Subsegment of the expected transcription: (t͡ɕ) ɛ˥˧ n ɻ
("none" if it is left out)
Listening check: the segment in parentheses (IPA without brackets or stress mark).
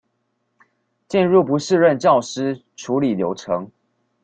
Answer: t͡ɕ